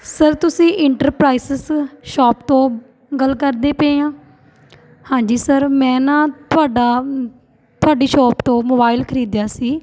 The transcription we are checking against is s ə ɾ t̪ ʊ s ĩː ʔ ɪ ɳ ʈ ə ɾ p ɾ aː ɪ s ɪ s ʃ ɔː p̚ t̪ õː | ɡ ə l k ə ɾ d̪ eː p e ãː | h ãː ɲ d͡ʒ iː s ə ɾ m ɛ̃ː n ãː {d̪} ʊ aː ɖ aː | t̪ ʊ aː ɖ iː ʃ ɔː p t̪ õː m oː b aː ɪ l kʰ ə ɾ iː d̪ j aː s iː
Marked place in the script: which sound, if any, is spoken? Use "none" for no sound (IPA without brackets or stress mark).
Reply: t̪